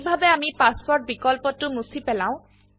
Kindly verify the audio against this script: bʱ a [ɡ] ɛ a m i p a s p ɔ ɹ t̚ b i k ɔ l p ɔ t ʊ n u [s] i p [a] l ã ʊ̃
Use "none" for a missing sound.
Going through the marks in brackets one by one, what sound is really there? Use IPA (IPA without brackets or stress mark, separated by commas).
b, s, ɛ